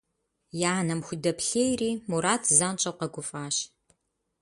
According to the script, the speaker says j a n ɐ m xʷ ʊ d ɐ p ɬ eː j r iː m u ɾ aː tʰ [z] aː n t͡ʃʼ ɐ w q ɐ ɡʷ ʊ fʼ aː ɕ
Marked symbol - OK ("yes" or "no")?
yes